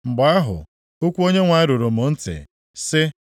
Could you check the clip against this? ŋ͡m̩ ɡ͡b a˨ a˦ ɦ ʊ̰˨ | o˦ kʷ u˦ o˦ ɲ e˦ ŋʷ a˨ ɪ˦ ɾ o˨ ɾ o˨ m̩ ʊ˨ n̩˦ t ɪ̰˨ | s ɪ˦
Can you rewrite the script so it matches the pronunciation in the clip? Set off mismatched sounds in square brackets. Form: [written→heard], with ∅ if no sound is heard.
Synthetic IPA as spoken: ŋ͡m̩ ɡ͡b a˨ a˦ ɦ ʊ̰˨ | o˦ kʷ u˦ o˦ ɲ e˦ ŋʷ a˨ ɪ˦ ɾ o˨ ɾ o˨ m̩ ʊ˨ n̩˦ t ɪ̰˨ | s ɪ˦

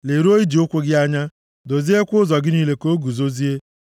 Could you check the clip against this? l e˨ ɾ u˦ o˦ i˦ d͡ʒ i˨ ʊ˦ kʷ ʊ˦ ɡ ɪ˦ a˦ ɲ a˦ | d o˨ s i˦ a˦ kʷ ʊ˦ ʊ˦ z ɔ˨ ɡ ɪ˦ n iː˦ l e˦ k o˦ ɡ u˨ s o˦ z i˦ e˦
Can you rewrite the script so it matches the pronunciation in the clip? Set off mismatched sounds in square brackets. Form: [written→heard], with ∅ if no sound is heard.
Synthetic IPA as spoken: l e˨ ɾ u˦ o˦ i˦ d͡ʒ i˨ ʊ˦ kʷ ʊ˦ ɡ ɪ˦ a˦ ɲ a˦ | d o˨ [s→z] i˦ [a˦→e˦] kʷ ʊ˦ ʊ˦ z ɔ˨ ɡ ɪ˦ n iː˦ l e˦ k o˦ ɡ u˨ [s→z] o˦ z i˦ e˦

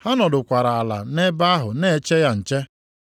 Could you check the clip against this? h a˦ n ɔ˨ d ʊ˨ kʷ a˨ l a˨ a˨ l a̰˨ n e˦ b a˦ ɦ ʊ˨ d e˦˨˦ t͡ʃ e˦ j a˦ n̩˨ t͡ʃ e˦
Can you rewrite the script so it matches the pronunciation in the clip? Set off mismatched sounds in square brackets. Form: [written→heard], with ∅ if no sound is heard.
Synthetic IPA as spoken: h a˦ n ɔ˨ d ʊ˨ kʷ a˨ [l→ɾ] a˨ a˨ l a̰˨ n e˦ b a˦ ɦ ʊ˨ [d→n] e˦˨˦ t͡ʃ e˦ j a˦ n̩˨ t͡ʃ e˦

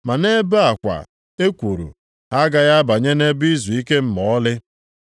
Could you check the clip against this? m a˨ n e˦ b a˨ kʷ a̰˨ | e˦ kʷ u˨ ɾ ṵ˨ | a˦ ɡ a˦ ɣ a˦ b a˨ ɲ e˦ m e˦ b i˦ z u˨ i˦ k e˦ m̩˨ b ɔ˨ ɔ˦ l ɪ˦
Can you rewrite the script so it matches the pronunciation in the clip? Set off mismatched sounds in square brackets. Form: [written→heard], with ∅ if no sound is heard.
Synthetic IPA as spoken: m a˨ n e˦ b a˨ kʷ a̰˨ | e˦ kʷ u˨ ɾ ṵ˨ | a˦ ɡ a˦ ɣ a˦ b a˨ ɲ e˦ [m→n] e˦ b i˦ z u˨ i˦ k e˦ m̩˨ [b→m] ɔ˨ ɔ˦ l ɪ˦

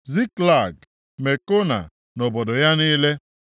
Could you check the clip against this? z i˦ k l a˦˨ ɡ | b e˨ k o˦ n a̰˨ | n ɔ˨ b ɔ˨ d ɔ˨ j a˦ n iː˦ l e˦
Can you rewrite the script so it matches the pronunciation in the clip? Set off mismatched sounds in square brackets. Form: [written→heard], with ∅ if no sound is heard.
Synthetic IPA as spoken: z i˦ k l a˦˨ ɡ | [b→m] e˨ k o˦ n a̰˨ | n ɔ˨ b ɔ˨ d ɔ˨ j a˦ n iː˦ l e˦

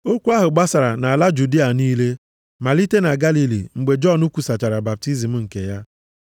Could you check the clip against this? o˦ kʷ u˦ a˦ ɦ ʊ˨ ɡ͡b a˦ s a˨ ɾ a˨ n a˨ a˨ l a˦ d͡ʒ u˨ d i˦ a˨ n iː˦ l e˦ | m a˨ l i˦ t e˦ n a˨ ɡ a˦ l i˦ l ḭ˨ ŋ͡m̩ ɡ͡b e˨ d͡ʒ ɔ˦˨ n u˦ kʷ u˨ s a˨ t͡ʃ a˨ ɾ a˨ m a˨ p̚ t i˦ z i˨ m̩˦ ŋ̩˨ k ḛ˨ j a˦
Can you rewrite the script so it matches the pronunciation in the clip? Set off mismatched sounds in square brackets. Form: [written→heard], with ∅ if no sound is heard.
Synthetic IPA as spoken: o˦ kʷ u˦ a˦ ɦ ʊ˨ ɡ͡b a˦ s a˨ ɾ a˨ n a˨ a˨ l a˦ d͡ʒ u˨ d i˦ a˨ n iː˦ l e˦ | m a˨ l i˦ t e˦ n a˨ ɡ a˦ l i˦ l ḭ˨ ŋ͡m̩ ɡ͡b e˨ d͡ʒ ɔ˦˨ n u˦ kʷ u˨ s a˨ t͡ʃ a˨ ɾ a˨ [m→b] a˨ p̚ t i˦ z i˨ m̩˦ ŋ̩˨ k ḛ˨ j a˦

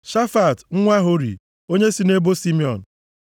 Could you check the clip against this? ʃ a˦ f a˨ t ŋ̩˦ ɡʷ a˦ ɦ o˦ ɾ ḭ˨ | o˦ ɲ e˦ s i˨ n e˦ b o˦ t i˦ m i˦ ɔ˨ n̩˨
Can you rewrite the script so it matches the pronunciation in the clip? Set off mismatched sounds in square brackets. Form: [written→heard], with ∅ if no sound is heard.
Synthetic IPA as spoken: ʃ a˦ f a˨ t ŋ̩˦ [ɡʷ→ŋʷ] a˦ ɦ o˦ ɾ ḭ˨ | o˦ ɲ e˦ s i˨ n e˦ b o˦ [t→s] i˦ m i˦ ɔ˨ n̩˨

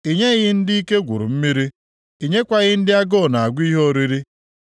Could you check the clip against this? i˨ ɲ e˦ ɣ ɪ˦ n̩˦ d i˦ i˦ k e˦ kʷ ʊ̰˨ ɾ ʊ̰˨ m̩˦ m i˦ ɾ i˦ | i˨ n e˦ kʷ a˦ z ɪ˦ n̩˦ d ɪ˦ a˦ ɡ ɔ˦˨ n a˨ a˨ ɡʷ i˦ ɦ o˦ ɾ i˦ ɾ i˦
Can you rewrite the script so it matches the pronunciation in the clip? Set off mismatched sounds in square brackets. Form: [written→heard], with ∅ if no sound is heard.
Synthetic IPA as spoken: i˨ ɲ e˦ ɣ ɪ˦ n̩˦ d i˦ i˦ k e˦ [kʷ→ɡʷ] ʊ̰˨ ɾ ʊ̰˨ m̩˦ m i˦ ɾ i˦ | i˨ [n→ɲ] e˦ kʷ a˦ [z→ɣ] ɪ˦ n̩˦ d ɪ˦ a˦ ɡ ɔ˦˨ n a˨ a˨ ɡʷ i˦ ɦ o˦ ɾ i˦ ɾ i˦

